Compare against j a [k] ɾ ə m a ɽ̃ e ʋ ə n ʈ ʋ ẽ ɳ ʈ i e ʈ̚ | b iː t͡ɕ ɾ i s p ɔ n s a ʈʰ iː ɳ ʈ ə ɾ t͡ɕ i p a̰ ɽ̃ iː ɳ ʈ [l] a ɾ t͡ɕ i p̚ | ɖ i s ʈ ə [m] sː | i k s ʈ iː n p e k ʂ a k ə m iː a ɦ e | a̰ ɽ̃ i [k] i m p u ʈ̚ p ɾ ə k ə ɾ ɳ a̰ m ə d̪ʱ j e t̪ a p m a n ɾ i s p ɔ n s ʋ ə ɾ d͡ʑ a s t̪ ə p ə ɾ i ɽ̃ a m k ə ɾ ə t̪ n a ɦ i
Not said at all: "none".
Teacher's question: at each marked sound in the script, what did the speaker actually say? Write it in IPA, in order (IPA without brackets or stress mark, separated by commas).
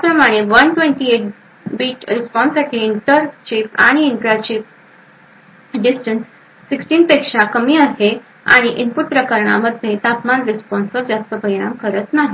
p, ɾ, n, ʔ